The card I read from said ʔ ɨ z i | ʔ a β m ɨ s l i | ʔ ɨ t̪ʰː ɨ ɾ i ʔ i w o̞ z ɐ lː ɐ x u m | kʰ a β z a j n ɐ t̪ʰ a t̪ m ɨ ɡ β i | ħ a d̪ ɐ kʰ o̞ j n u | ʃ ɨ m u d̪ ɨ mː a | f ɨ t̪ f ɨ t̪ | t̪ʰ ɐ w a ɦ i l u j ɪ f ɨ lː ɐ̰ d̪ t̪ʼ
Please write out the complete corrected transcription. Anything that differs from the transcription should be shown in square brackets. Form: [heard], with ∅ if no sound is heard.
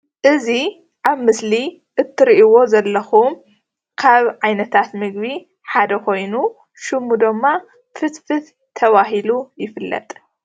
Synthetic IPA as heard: ʔ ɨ z i | ʔ a β m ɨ s l i | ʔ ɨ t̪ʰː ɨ ɾ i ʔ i w o̞ z ɐ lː ɐ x u m | kʰ a β [ʕ] a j n ɐ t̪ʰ a t̪ m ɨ ɡ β i | ħ a d̪ ɐ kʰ o̞ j n u | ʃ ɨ m u d̪ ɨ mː a | f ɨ t̪ f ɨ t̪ | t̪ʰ ɐ [β] a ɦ i l u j ɪ f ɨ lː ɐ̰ [∅] t̪ʼ